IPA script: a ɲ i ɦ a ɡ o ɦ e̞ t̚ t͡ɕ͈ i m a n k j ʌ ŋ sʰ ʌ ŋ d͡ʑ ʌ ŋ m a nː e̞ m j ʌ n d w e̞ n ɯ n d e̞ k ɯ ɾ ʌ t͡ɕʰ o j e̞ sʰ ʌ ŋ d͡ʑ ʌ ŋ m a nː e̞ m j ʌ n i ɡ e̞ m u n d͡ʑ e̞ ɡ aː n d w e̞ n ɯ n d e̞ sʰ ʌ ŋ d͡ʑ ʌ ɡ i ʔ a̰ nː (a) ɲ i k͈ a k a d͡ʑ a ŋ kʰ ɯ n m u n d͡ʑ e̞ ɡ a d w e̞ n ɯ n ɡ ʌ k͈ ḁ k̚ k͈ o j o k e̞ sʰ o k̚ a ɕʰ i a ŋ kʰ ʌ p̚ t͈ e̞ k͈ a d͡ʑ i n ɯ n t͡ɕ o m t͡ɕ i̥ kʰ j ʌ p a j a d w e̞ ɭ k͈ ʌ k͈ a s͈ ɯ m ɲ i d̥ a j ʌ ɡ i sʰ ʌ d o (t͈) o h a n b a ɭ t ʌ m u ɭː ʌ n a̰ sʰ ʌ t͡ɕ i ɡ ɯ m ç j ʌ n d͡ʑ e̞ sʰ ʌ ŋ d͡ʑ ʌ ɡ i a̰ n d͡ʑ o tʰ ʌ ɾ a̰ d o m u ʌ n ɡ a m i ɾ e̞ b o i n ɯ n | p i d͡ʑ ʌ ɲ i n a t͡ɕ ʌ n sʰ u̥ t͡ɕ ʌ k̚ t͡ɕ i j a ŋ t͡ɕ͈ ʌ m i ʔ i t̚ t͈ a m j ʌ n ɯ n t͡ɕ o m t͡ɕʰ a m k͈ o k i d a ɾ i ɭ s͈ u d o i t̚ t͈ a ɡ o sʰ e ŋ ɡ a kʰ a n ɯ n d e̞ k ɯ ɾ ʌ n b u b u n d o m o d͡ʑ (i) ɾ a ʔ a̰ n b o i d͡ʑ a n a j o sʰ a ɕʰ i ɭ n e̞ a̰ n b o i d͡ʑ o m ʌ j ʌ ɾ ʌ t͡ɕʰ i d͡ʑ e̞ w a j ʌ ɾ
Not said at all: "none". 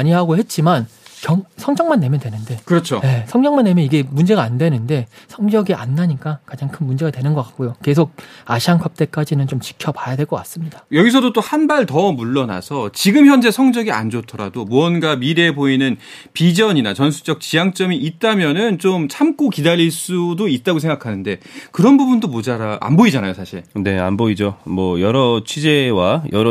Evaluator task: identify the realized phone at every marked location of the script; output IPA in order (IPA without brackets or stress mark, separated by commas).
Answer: a, t͈, a